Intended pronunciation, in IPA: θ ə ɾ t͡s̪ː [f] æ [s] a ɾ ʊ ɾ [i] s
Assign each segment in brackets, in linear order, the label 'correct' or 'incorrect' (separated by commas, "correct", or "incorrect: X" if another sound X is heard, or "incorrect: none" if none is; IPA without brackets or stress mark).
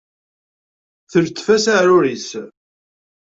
correct, correct, correct